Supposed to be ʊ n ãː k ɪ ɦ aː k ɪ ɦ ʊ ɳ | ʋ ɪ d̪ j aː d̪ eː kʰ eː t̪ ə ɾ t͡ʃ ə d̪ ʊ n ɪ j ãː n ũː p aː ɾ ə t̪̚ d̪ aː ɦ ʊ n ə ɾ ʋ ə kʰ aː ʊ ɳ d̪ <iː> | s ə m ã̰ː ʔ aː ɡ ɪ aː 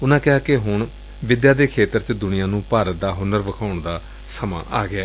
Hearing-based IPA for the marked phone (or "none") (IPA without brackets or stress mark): aː